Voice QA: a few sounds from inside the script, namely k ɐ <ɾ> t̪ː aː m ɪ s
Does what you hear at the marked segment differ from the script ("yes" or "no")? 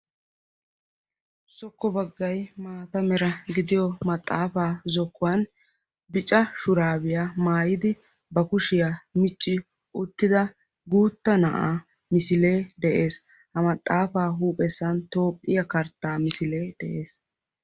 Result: no